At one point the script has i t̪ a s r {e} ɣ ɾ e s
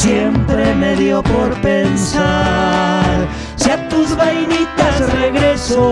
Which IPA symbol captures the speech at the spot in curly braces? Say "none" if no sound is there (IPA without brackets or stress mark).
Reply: e